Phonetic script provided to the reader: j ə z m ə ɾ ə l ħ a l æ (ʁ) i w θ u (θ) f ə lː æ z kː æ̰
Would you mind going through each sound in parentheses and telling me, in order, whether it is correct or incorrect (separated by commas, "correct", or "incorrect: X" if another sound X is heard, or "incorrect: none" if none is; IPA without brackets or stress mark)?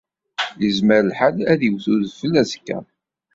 incorrect: ð, incorrect: ð